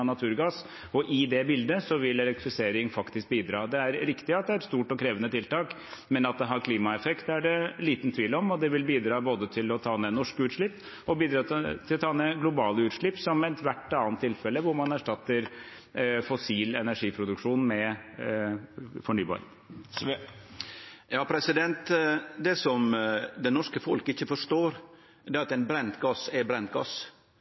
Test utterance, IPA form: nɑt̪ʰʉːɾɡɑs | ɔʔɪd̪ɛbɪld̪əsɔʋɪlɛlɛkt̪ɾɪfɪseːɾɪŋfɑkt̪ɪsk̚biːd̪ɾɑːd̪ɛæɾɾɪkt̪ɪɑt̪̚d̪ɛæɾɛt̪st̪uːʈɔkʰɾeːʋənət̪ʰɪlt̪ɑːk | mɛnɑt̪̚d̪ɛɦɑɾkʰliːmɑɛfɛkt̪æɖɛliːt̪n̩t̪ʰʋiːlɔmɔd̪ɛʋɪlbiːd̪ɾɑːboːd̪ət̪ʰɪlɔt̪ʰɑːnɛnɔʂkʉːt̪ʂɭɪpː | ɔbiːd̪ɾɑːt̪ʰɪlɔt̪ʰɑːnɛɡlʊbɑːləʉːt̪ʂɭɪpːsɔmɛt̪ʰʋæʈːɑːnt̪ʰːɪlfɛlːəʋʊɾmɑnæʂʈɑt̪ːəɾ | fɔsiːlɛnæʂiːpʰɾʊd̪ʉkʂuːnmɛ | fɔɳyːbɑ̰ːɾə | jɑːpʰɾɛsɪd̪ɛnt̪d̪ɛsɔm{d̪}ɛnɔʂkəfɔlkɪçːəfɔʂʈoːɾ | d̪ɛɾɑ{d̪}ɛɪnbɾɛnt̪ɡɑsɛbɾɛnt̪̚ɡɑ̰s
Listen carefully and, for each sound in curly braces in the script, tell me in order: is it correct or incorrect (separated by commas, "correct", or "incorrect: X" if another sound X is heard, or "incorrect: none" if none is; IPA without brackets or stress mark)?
correct, incorrect: t̪